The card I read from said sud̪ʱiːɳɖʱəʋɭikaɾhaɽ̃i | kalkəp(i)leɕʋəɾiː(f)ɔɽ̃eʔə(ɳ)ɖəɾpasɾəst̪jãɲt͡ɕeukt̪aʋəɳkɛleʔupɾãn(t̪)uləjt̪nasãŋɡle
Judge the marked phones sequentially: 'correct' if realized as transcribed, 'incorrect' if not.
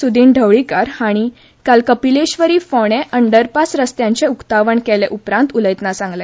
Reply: correct, correct, correct, correct

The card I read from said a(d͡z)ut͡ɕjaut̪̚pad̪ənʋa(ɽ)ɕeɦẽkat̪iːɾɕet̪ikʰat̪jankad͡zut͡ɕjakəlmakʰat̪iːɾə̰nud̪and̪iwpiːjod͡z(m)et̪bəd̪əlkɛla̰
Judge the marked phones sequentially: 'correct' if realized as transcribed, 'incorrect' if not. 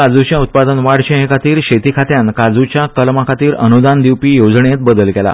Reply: correct, correct, incorrect

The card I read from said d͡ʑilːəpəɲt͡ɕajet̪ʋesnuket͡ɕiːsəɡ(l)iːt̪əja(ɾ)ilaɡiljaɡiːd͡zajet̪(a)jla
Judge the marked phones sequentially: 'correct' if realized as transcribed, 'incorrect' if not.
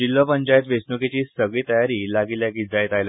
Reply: incorrect, correct, correct

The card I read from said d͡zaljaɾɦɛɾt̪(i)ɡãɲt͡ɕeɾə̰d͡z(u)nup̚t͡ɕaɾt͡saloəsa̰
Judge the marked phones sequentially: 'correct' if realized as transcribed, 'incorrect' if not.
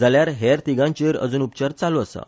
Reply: correct, incorrect

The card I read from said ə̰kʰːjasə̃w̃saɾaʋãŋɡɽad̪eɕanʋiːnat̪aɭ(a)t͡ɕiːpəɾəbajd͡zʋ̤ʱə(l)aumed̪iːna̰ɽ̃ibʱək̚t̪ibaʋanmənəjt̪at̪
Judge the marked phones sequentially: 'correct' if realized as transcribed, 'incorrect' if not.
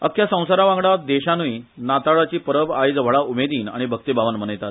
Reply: correct, incorrect

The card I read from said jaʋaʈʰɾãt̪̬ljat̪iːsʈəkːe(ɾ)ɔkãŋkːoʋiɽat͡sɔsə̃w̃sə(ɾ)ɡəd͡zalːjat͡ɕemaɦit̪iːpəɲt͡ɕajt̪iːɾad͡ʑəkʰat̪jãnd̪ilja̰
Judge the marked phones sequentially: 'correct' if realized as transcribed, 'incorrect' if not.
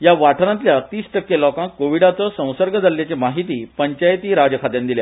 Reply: incorrect, correct

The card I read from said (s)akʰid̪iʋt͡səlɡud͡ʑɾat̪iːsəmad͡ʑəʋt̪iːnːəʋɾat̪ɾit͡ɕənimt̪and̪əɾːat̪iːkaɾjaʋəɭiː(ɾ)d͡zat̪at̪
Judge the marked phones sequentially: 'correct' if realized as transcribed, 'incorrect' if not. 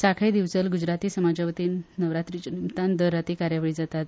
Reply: correct, incorrect

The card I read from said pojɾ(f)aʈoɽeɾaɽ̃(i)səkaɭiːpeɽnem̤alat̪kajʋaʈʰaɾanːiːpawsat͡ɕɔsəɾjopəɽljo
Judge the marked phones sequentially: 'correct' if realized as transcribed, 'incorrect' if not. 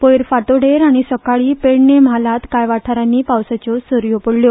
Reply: correct, correct

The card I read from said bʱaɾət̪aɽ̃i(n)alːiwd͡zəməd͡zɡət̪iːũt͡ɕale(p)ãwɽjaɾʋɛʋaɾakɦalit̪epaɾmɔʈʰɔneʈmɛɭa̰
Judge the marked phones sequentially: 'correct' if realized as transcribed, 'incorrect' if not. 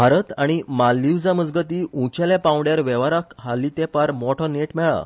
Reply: incorrect, correct

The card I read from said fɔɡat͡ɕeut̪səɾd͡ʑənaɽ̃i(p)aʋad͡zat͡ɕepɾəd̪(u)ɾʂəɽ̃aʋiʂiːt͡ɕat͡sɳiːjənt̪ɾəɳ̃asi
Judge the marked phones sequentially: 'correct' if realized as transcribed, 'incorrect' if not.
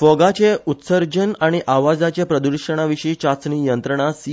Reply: incorrect, correct

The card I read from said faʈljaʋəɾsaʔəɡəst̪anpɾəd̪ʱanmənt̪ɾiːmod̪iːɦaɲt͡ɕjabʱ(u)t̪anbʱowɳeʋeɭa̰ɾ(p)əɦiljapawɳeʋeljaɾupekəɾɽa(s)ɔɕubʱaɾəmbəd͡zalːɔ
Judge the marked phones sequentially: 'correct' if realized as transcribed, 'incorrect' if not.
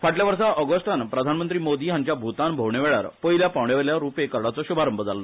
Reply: correct, correct, incorrect

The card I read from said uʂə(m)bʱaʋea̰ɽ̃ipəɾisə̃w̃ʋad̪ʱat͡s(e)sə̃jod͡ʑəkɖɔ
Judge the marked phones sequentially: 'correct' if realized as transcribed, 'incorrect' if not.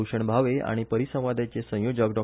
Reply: incorrect, correct

